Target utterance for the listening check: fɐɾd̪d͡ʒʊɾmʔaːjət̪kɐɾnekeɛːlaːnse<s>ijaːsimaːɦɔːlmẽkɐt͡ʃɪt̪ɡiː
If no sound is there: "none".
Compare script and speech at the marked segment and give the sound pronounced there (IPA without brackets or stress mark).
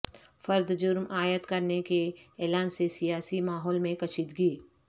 s